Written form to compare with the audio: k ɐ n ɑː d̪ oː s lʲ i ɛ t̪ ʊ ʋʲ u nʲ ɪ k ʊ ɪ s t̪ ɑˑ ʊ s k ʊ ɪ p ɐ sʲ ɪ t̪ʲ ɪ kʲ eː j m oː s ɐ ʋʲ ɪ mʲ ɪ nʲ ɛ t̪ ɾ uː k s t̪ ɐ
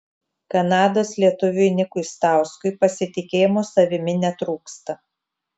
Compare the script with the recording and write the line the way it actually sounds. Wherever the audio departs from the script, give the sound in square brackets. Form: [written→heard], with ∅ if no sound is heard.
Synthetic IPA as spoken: k ɐ n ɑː d̪ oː s lʲ i ɛ t̪ ʊ ʋʲ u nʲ ɪ k ʊ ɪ s t̪ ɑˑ ʊ s k ʊ ɪ p ɐ sʲ ɪ t̪ʲ ɪ kʲ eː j m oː s ɐ ʋʲ ɪ mʲ ɪ nʲ ɛ t̪ ɾ uː k s t̪ ɐ